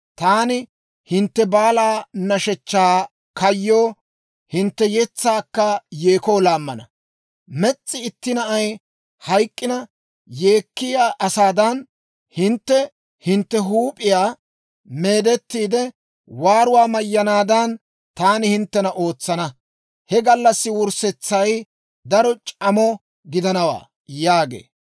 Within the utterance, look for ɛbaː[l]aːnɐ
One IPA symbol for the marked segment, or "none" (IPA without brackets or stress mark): l